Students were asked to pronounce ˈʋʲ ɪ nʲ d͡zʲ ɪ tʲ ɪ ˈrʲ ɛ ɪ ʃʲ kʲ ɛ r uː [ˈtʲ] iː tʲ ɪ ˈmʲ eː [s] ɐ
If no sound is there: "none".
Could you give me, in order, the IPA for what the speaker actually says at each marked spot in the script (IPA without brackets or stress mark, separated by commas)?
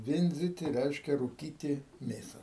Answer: kʲ, s